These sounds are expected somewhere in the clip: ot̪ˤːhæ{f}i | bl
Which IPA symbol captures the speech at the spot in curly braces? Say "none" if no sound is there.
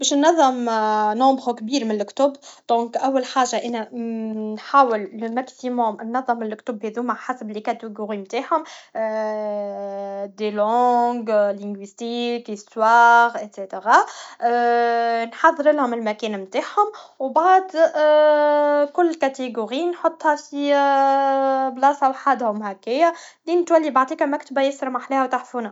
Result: f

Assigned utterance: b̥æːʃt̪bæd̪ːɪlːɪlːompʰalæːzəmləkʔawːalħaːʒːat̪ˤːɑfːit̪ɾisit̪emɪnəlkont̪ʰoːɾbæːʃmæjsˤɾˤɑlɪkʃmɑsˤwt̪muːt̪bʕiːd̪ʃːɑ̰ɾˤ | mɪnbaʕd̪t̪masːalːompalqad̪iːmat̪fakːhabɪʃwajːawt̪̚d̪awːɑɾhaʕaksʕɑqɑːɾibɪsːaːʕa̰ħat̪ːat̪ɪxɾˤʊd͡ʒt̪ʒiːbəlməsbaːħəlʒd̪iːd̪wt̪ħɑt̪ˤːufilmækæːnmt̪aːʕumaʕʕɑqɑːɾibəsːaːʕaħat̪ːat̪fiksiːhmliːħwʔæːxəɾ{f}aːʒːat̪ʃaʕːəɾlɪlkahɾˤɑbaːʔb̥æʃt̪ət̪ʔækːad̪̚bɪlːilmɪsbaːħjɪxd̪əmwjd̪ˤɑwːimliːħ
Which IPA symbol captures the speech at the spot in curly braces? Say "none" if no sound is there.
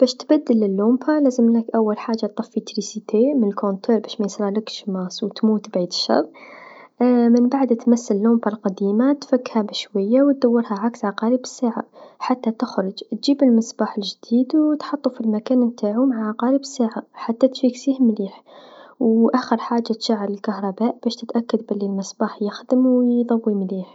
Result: ħ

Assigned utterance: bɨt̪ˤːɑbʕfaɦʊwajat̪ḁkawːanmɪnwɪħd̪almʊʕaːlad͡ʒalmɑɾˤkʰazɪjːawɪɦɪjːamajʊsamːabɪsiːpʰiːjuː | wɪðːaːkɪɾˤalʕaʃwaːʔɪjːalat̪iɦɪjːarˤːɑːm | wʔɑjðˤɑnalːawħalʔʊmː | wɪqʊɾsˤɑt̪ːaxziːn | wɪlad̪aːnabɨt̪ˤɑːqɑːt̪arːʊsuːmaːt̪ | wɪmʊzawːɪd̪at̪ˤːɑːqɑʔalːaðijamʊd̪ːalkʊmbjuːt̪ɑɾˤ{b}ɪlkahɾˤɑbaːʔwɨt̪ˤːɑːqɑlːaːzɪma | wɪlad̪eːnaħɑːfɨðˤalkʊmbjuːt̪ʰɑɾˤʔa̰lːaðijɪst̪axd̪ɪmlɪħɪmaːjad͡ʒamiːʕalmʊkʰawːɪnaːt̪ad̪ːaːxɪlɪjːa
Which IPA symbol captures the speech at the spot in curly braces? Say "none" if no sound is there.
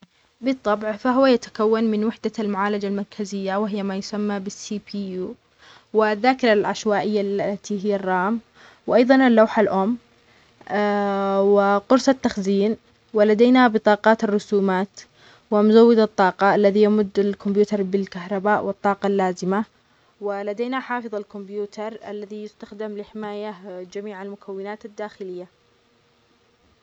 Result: b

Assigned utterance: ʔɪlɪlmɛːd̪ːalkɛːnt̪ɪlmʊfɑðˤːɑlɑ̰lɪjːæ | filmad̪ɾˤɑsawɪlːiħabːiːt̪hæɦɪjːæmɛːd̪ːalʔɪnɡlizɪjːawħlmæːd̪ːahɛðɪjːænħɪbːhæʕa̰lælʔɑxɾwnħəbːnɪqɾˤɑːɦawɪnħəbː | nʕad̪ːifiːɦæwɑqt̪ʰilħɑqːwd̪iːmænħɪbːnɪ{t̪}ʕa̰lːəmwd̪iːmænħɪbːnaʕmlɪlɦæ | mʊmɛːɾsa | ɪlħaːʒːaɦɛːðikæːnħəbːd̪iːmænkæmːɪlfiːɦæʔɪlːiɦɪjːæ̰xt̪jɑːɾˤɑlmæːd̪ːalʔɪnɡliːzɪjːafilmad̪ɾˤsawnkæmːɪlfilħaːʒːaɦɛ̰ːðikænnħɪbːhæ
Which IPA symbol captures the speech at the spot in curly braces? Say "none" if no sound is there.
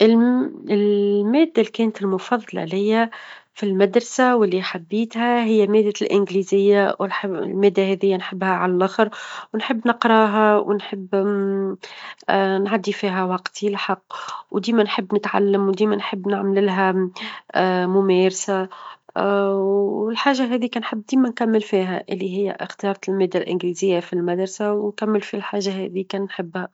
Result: t̪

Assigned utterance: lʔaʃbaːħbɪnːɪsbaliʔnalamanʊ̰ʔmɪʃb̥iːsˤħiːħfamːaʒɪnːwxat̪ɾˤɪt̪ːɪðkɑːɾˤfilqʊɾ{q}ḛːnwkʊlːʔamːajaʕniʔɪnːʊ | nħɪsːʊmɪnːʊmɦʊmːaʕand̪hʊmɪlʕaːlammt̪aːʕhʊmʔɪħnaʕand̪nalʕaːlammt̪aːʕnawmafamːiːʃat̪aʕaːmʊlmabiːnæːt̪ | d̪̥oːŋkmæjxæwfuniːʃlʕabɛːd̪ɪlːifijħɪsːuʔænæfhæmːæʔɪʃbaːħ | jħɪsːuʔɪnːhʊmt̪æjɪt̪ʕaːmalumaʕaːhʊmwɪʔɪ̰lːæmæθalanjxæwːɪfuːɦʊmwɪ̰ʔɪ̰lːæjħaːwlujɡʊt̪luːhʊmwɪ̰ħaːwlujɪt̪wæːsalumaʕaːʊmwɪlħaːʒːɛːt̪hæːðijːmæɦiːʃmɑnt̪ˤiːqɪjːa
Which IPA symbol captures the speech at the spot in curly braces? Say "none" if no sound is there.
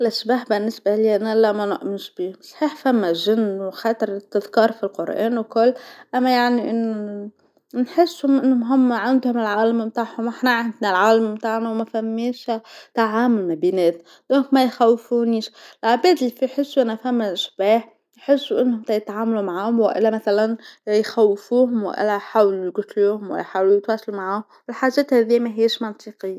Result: ʔ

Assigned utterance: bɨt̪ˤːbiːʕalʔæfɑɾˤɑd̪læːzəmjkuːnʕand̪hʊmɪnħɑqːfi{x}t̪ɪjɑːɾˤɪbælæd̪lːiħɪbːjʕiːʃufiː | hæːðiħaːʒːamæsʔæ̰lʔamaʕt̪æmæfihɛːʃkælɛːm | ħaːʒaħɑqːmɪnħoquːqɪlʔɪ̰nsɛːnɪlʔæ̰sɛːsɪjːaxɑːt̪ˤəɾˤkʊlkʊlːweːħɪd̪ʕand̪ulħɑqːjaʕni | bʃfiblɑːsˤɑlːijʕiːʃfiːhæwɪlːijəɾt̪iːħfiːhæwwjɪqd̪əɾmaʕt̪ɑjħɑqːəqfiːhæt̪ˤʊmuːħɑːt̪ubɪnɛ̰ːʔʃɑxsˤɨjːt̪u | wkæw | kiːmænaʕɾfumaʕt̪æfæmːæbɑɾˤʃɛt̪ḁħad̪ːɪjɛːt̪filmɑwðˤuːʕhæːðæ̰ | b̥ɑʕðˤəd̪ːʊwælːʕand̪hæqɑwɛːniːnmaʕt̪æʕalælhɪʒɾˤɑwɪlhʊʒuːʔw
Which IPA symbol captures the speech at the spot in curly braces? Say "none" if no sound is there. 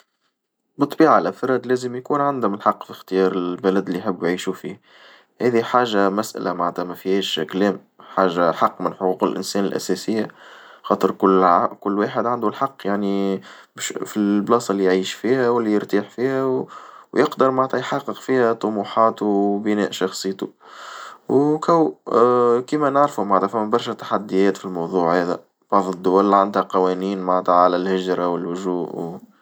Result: x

